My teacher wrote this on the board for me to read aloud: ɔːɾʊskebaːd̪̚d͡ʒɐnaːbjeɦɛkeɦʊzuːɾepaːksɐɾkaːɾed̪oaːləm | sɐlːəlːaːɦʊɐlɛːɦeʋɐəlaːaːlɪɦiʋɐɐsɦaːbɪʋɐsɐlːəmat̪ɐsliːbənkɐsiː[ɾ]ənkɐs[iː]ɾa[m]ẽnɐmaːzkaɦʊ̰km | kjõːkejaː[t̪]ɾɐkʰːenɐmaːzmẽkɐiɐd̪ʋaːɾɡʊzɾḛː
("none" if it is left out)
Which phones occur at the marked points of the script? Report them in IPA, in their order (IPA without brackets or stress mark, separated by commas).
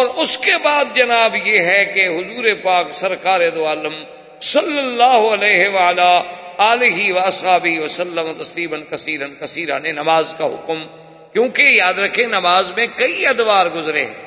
ɾ, iː, n, d̪